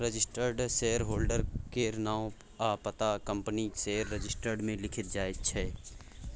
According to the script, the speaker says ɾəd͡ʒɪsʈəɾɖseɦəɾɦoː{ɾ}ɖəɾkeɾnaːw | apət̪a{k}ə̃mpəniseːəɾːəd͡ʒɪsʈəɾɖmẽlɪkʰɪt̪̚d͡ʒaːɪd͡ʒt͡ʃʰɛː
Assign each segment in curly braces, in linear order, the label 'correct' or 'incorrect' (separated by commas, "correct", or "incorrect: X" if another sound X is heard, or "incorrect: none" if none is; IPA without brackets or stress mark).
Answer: incorrect: l, correct